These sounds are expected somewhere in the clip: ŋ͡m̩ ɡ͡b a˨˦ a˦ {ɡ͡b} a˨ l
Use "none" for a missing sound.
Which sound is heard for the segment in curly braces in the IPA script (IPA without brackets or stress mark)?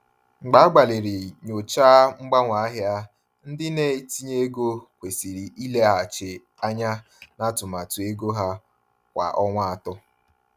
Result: ɡ͡b